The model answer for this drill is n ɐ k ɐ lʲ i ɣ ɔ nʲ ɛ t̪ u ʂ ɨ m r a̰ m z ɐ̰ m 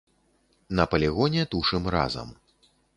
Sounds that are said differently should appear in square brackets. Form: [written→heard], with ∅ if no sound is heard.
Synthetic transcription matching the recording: n ɐ [k→p] ɐ lʲ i ɣ ɔ nʲ ɛ t̪ u ʂ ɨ m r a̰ [m→∅] z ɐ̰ m